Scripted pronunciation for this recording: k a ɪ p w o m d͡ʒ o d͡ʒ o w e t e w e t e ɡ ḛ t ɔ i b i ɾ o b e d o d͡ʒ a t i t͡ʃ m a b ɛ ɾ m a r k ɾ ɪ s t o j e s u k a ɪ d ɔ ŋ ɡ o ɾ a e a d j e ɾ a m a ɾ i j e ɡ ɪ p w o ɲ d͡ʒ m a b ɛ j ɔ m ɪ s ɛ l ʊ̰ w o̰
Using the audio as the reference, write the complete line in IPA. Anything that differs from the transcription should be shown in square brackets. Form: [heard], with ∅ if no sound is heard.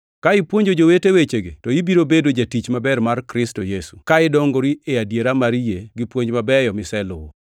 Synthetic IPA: k a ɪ p w o [ɲ] d͡ʒ o d͡ʒ o w e t e w e [t͡ʃ] e ɡ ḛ t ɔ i b i ɾ o b e d o d͡ʒ a t i t͡ʃ m a b ɛ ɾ m a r k ɾ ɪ s t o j e s u k a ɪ d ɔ ŋ ɡ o ɾ [i] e a d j e ɾ a m a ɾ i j e ɡ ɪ p w o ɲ d͡ʒ m a b ɛ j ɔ m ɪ s ɛ l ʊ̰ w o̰